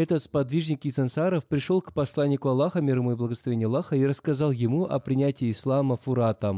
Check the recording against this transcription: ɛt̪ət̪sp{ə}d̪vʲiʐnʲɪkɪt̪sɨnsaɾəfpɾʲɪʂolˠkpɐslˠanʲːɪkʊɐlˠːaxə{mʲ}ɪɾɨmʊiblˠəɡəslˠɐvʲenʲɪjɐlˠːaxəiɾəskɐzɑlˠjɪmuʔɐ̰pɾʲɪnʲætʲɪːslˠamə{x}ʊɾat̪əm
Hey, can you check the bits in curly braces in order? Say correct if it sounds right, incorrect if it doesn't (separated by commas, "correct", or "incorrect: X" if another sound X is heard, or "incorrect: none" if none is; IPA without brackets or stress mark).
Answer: incorrect: ɐ, correct, incorrect: f